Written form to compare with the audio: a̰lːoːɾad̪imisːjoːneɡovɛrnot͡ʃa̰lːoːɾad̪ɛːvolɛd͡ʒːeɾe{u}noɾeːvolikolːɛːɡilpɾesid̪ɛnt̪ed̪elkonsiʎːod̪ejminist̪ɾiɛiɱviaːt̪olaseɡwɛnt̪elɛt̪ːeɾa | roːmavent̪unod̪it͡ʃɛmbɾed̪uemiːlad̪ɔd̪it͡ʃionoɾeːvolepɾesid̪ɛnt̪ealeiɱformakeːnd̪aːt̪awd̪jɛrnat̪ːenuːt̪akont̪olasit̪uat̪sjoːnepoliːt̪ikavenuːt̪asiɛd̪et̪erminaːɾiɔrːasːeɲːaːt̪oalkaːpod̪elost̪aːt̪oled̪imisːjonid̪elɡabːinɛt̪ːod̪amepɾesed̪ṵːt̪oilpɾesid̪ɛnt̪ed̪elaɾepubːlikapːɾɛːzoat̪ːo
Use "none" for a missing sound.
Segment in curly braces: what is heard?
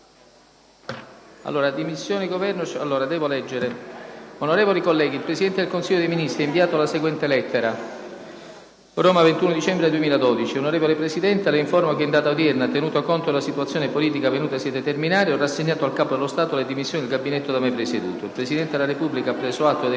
o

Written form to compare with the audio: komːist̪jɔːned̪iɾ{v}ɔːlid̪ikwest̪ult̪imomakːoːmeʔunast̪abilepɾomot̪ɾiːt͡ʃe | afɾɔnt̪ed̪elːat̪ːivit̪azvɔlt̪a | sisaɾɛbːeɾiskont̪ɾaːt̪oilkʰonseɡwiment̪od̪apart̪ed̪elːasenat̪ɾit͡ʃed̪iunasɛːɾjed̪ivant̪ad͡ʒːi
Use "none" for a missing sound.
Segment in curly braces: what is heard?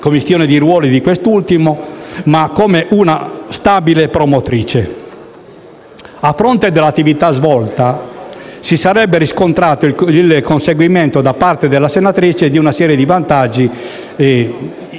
w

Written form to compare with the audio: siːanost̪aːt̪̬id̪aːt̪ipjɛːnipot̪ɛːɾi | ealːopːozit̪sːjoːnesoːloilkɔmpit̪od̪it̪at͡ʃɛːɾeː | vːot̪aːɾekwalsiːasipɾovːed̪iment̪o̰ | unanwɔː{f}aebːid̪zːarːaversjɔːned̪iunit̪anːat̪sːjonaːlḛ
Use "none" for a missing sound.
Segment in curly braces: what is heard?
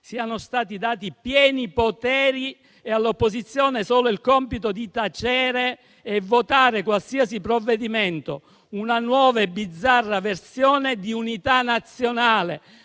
v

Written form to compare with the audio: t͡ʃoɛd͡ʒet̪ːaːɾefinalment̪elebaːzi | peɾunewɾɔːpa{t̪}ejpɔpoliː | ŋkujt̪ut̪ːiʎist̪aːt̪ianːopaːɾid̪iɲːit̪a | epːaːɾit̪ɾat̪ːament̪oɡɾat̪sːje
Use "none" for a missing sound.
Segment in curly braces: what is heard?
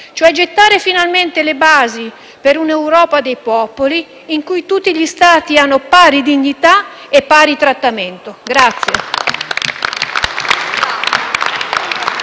d̪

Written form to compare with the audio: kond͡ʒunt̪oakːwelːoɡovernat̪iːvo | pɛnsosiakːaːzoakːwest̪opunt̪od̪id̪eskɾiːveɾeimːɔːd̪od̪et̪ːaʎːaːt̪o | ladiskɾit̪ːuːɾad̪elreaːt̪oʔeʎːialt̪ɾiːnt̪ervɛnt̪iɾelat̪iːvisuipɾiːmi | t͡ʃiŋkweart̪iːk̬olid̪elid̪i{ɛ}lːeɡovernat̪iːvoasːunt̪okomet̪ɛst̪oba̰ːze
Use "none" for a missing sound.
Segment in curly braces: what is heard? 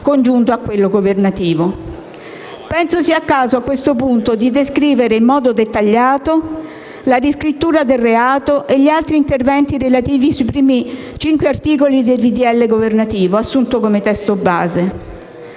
ɛ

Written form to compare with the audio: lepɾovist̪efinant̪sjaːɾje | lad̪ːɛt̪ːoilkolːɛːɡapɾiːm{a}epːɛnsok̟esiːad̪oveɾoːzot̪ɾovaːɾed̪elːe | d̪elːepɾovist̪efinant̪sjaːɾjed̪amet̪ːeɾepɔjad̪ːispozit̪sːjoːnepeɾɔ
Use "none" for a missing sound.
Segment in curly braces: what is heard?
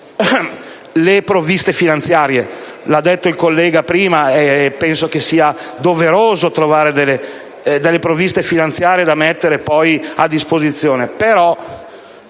a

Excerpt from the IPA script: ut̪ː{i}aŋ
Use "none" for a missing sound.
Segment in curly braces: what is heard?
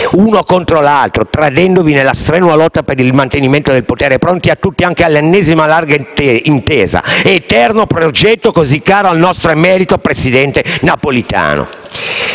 i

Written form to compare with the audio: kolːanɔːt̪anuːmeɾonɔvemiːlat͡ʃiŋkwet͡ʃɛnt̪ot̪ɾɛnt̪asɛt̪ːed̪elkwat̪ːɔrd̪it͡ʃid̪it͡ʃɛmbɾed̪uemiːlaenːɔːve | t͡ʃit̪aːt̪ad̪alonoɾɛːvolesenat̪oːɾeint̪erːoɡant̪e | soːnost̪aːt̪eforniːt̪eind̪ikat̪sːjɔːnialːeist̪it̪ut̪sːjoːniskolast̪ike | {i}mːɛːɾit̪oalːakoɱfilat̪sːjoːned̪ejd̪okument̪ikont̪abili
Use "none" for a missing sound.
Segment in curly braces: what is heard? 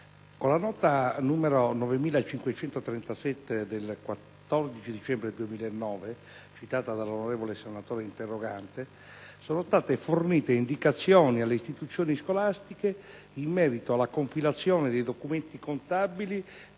i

